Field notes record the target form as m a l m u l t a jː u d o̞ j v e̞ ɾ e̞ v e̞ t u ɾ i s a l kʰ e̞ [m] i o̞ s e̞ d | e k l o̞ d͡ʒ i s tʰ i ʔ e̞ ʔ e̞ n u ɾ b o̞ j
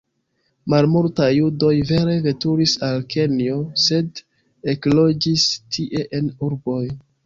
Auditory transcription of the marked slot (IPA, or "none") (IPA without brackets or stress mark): n